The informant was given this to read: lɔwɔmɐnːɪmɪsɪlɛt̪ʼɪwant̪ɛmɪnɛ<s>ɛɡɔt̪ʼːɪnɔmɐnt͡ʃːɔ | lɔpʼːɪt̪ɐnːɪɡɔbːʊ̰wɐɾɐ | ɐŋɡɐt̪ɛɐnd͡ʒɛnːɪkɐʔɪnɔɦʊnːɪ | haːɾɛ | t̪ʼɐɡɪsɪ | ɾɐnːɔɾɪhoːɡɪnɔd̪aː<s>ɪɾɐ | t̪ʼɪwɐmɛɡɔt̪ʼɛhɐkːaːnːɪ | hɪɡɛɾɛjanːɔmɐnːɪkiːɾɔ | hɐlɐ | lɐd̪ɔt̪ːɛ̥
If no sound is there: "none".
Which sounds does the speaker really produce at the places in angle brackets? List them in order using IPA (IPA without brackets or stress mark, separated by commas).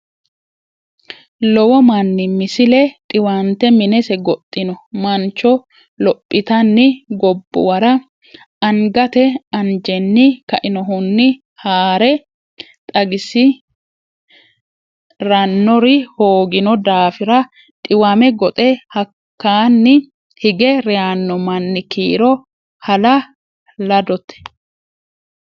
s, f